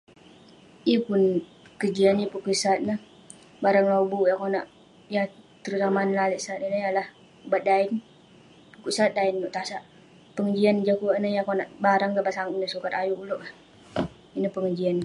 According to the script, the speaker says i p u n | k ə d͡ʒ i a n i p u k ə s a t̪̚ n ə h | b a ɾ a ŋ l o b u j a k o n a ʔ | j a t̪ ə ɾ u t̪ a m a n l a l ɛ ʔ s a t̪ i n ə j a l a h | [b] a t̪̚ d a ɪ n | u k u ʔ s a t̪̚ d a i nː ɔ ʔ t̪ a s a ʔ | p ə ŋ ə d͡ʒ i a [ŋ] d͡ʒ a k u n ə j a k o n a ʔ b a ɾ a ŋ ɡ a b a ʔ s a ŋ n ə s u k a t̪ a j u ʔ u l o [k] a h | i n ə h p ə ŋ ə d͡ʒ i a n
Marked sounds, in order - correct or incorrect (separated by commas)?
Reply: correct, incorrect, incorrect